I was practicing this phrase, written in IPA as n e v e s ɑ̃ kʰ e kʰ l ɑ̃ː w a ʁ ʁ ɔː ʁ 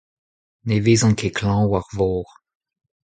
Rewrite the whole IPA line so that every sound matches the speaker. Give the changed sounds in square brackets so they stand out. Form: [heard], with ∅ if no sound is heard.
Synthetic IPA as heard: n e v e [z] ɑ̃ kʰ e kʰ l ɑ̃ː w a ʁ [v] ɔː ʁ